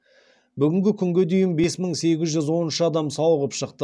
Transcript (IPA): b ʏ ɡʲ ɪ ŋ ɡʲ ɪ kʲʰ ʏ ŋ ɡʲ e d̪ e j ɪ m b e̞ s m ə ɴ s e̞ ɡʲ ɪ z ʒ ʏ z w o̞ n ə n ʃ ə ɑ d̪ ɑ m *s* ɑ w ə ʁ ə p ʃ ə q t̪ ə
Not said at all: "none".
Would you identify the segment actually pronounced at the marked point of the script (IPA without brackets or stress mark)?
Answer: s